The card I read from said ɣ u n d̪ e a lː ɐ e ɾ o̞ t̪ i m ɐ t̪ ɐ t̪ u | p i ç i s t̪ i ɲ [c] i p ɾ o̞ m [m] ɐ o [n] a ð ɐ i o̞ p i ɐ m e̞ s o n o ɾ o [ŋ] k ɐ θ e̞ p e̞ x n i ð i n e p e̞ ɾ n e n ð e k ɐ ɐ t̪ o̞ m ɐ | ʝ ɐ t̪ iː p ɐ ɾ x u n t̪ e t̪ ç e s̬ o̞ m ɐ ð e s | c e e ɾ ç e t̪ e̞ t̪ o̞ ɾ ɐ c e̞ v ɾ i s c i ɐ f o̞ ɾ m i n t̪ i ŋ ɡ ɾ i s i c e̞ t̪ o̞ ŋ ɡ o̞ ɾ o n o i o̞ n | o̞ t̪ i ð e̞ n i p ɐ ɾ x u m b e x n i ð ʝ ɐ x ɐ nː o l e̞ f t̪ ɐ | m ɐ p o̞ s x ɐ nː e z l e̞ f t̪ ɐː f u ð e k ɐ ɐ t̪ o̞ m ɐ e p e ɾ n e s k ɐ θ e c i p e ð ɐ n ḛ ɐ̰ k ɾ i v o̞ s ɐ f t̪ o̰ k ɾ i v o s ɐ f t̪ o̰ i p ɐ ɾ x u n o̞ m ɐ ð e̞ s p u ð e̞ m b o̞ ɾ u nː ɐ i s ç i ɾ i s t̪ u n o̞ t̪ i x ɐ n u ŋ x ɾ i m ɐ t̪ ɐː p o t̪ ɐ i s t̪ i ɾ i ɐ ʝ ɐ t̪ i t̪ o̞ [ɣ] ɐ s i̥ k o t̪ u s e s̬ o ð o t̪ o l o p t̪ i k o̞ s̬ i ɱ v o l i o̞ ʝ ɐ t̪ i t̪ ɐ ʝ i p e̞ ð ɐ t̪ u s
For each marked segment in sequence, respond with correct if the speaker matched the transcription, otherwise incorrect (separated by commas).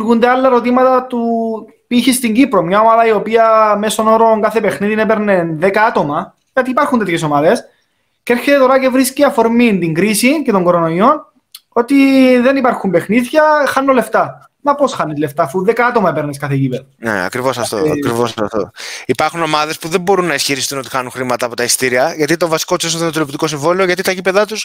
incorrect, incorrect, incorrect, correct, incorrect